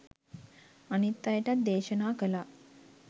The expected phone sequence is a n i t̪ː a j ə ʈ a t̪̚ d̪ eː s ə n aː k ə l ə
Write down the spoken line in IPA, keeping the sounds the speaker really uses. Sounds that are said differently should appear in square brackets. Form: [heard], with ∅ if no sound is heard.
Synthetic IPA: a n i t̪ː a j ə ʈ a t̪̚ d̪ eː [ʃ] ə n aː k ə l [a]